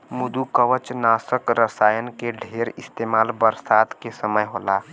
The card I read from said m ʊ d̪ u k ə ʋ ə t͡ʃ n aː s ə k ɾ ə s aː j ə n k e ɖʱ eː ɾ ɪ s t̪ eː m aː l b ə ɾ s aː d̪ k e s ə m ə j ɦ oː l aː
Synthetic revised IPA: m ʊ d̪ u k ə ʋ ə t͡ʃ n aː s ə k ɾ ə s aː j ə n k e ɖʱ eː ɾ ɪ s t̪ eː m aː l b ə ɾ s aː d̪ k e s ə m ə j ɦ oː l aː

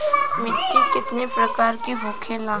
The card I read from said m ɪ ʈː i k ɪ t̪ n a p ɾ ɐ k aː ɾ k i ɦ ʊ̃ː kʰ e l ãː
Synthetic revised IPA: m ɪ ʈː i k ɪ t̪ n e p ɾ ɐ k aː ɾ k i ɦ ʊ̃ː kʰ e l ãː

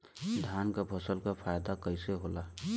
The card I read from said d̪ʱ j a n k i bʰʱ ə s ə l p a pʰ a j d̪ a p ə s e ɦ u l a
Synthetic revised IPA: d̪ʱ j a n k a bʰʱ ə s ə l k a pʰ a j d̪ a k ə s e ɦ o l a

